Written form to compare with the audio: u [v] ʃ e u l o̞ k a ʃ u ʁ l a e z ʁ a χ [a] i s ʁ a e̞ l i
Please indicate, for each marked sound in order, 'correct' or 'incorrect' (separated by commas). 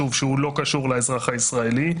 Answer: correct, correct